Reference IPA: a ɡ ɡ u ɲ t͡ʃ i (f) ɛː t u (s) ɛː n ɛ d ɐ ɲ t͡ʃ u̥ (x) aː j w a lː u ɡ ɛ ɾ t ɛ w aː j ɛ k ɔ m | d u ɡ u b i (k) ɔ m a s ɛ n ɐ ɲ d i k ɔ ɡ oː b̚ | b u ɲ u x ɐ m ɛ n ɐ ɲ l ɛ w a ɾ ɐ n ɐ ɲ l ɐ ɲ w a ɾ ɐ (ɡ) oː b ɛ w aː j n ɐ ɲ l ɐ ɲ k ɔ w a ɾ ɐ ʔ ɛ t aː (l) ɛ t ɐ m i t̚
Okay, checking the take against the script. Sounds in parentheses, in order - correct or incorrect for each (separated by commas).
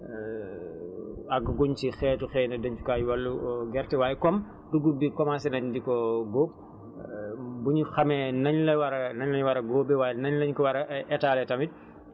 incorrect, incorrect, incorrect, correct, correct, correct